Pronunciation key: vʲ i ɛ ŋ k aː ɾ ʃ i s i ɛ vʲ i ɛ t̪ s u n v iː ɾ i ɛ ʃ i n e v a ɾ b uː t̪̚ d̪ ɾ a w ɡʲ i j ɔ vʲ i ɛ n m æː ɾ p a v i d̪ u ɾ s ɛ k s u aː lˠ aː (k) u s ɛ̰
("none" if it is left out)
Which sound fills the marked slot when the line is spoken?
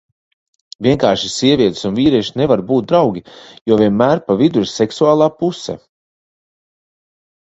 p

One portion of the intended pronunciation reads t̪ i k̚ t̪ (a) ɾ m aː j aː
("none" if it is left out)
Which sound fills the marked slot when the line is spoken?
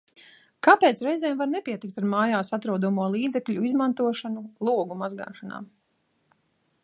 a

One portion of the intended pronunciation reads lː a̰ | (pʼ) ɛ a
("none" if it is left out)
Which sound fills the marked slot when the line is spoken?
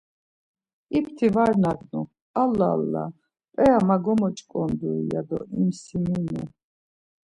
pʼ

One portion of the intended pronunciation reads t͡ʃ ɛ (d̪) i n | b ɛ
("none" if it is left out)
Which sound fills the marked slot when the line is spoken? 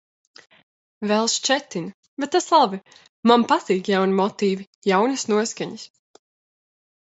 t̪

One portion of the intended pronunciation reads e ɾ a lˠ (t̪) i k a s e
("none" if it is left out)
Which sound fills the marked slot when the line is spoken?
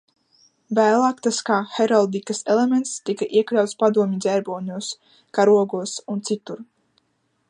d̪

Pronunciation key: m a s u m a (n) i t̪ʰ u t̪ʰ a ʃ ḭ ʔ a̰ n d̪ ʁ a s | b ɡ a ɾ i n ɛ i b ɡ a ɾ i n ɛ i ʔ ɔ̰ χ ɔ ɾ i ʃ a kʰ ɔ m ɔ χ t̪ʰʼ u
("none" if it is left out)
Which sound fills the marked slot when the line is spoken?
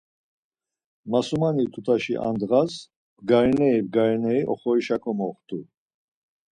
n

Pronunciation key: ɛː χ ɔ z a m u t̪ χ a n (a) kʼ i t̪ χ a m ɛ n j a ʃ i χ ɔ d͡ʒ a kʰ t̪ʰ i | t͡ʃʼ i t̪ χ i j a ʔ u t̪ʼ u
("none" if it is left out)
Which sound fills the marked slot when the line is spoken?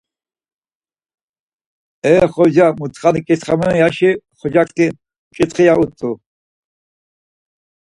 i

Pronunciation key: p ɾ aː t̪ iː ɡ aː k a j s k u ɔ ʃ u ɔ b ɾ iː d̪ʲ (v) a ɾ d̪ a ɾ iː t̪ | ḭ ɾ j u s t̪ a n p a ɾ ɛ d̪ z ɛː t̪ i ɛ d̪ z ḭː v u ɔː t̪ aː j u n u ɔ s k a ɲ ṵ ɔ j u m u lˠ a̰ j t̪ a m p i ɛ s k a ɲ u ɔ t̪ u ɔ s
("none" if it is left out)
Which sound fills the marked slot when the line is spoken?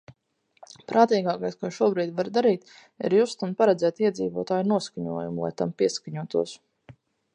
v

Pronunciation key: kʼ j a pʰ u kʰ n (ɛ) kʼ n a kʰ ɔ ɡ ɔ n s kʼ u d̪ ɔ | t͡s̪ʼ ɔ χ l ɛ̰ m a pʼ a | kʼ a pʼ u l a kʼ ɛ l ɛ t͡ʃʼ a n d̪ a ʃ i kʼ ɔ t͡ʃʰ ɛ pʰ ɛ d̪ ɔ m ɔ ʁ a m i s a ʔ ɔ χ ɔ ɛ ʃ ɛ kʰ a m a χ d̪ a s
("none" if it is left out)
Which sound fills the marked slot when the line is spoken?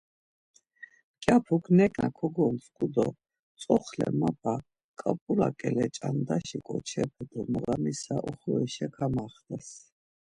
ɛ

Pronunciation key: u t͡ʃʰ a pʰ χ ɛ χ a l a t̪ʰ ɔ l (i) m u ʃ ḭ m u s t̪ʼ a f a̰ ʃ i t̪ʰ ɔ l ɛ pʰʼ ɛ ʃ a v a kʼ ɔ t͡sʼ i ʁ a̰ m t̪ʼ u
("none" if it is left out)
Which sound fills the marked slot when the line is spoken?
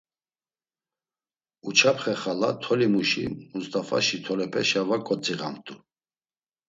i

